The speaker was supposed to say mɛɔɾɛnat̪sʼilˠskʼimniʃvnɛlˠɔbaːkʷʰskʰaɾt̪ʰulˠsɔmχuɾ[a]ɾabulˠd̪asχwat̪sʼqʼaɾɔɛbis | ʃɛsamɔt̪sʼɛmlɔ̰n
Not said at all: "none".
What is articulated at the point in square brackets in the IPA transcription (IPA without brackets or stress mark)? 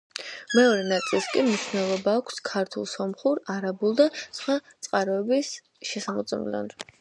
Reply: a